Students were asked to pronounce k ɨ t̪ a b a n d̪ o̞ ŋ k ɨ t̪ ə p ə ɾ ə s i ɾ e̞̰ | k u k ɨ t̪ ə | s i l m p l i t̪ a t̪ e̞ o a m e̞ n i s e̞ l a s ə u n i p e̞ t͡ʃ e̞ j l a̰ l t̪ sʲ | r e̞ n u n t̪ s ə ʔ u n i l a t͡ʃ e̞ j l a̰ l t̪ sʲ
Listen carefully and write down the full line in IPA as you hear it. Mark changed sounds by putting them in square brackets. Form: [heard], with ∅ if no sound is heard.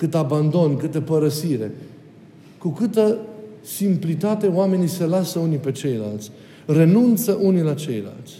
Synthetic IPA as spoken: k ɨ t̪ a b a n d̪ o̞ [n] k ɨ t̪ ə p ə ɾ ə s i ɾ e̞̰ | k u k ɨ t̪ ə | s i [∅] m p l i t̪ a t̪ e̞ o a m e̞ n i s e̞ l a s ə u n i p e̞ t͡ʃ e̞ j l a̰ l t̪ sʲ | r e̞ n u n t̪ s ə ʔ u n i l a t͡ʃ e̞ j l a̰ l t̪ sʲ